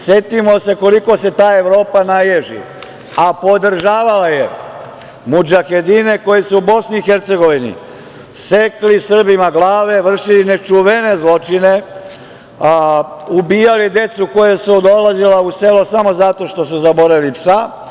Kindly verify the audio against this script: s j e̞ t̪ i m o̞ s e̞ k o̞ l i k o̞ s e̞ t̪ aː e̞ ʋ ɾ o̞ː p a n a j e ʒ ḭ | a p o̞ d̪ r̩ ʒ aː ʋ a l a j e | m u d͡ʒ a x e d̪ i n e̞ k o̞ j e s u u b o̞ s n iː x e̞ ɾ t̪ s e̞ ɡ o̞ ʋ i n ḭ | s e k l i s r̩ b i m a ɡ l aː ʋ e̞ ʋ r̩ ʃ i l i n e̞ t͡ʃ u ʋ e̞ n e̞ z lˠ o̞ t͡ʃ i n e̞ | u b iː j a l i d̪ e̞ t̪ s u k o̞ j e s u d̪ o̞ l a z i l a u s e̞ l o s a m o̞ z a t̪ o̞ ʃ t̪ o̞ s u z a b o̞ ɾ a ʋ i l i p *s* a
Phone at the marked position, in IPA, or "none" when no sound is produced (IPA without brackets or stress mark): s